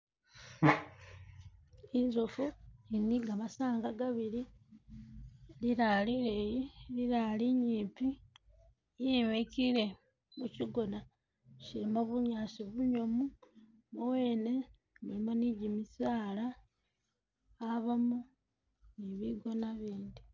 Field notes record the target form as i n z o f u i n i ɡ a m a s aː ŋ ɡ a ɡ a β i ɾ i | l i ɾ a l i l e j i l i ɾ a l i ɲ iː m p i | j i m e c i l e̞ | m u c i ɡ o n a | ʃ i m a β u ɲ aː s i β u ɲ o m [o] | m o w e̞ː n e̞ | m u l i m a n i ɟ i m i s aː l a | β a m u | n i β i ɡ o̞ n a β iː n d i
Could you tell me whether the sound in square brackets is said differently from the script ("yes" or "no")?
yes